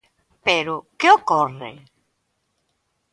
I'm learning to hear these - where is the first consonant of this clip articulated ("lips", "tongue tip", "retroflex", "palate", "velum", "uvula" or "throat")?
lips